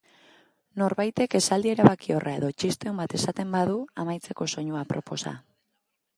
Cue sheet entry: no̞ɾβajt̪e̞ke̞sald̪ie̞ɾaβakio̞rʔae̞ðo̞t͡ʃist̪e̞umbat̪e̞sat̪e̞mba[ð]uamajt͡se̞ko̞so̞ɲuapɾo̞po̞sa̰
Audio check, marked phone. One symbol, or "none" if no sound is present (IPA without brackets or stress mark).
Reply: ð